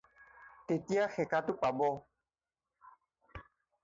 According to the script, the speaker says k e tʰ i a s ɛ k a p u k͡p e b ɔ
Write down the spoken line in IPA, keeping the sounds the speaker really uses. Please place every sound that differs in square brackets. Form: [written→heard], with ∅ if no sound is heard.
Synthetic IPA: [k→t] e [tʰ→t] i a [s→x] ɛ k a [p→t] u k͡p [e→a] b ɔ